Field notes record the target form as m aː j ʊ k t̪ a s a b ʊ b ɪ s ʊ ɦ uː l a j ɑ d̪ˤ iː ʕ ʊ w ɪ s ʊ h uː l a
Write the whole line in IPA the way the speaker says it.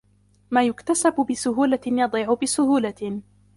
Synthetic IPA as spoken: m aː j ʊ k t̪ a s a b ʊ b ɪ s ʊ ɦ uː l a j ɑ d̪ˤ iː ʕ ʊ b ɪ s ʊ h uː l a